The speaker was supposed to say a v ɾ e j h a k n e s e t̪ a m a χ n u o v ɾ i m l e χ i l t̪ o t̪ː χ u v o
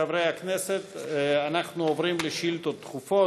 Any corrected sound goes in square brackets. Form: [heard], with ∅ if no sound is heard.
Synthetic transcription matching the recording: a v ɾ e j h a k n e s e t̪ a [n] a χ n u o v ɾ i m l e [ʃ] i l t̪ o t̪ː χ u [f] o